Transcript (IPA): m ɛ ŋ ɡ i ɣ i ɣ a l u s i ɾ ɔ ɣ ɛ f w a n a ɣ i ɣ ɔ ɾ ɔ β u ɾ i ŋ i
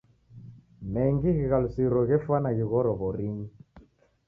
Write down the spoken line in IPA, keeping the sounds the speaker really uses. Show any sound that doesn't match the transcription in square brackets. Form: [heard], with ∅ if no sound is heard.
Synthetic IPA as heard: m ɛ ŋ ɡ i ɣ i ɣ a l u s i ɾ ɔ ɣ ɛ f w a n a ɣ i ɣ ɔ ɾ ɔ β [ɔ] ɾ i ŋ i